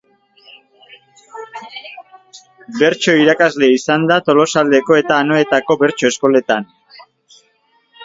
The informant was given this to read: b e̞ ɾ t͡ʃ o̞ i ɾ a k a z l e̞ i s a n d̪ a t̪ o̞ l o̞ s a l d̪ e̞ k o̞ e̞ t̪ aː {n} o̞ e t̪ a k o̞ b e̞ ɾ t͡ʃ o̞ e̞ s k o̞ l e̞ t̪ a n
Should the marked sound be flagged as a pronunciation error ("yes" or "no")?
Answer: no